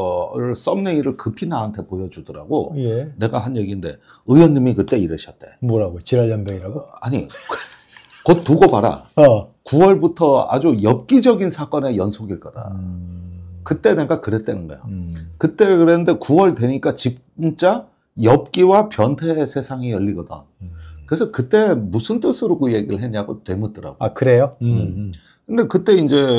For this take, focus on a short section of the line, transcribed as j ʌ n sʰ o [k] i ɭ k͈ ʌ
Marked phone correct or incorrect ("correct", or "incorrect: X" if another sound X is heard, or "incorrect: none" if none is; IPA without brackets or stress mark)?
incorrect: ɡ